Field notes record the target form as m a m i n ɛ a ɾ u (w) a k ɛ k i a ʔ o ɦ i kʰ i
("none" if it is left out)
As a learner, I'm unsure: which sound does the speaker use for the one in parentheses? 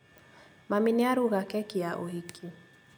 ɣ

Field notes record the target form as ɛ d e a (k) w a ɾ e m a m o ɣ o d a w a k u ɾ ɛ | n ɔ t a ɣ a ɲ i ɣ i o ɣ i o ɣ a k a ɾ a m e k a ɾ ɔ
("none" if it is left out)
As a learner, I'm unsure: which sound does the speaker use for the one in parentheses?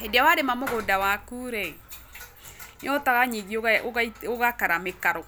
none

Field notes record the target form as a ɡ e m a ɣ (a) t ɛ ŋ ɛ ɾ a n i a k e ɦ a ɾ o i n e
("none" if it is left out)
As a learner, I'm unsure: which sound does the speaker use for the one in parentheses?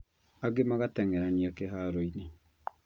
a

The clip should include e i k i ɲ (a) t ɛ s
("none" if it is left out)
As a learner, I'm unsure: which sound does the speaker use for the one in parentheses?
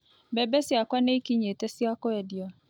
e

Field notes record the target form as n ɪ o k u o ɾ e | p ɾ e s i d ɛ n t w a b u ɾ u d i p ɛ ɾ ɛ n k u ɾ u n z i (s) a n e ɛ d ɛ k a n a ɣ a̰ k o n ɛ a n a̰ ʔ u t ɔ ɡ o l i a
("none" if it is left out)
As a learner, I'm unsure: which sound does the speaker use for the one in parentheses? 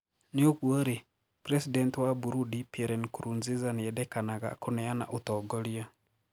z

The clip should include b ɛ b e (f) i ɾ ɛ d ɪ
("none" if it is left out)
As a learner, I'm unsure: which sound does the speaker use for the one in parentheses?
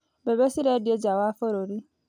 s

